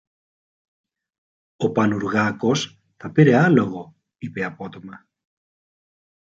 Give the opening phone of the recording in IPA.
o̞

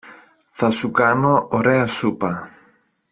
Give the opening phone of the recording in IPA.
θ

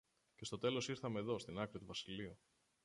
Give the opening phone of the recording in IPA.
c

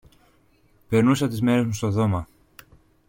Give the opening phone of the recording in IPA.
p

